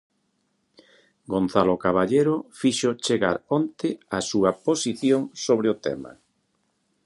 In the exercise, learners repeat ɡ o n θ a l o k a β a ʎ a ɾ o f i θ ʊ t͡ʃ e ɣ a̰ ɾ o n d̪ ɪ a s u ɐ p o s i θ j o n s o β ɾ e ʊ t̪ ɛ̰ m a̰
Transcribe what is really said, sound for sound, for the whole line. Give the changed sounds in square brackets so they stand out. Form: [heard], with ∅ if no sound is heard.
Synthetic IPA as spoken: ɡ o n θ a l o k a β a ʎ [e] ɾ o f i [ʃ] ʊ t͡ʃ e ɣ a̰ ɾ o n [t̪] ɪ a s u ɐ p o s i θ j o [ŋ] s o β ɾ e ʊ t̪ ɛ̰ m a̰